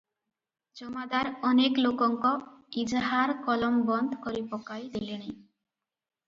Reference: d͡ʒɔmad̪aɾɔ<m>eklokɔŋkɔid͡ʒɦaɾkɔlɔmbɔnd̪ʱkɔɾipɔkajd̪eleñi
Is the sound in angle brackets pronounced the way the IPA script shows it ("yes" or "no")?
no